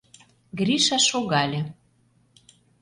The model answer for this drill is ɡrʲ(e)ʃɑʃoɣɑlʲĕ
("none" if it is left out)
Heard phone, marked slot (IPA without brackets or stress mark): i